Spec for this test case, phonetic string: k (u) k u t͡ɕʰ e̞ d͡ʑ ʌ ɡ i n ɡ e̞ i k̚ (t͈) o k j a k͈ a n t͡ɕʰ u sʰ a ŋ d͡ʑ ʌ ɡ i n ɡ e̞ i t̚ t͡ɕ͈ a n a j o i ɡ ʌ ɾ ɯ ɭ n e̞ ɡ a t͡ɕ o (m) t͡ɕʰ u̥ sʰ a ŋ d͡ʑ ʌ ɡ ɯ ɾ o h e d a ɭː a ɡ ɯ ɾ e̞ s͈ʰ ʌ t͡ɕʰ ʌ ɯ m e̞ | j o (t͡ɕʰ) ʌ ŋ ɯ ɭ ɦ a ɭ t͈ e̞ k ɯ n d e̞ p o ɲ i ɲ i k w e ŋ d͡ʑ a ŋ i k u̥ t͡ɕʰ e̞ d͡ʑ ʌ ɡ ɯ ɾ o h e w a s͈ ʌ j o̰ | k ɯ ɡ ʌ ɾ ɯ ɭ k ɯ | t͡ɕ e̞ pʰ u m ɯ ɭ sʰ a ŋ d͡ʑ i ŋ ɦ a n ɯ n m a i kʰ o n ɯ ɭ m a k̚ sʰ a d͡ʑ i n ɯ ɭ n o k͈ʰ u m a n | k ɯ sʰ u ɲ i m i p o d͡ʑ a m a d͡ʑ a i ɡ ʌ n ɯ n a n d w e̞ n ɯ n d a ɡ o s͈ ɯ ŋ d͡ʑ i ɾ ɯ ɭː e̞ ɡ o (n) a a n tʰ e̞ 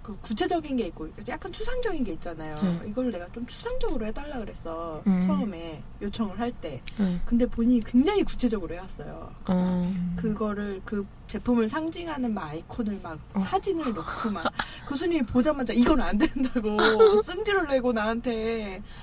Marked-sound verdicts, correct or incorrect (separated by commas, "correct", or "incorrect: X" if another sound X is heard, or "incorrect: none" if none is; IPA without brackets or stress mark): incorrect: ɯ, incorrect: k͈, correct, correct, correct